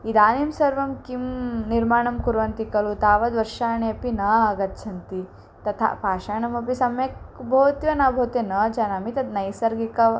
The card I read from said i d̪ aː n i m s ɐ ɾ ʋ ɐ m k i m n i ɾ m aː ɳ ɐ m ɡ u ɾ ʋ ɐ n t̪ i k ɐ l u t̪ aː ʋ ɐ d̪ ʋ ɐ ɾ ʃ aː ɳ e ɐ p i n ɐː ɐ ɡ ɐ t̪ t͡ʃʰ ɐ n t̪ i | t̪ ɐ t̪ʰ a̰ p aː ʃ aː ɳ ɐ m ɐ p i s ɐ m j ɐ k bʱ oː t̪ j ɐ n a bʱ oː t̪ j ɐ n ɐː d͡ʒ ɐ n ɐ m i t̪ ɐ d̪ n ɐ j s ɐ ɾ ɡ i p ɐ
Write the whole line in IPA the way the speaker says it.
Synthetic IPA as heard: i d̪ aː n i m s ɐ ɾ ʋ ɐ m k i m n i ɾ m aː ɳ ɐ m k u ɾ ʋ ɐ n t̪ i k ɐ l u t̪ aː ʋ ɐ d̪ ʋ ɐ ɾ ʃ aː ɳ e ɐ p i n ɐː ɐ ɡ ɐ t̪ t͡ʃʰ ɐ n t̪ i | t̪ ɐ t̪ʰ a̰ p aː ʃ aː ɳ ɐ m ɐ p i s ɐ m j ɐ k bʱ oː t̪ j ɐ n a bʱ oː t̪ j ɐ n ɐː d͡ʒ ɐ n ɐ m i t̪ ɐ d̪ n ɐ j s ɐ ɾ ɡ i k ɐ